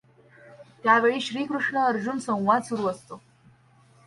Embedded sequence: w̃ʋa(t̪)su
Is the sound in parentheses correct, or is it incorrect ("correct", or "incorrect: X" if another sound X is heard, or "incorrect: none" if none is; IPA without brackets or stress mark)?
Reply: incorrect: d̪